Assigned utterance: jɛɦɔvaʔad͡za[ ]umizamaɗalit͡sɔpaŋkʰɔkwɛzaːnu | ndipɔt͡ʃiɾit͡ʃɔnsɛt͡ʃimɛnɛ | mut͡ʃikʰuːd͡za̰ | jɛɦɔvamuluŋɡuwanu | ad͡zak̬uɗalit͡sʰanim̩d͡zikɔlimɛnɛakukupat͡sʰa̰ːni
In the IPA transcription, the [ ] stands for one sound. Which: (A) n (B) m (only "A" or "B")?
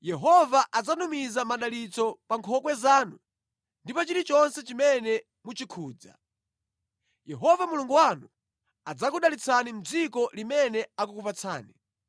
A